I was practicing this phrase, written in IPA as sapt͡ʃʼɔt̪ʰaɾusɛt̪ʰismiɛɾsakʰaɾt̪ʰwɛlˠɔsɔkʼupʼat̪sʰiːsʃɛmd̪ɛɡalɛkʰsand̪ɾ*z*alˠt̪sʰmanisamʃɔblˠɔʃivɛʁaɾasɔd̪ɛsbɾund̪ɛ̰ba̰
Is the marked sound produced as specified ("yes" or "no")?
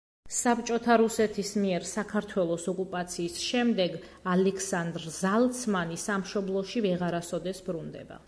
yes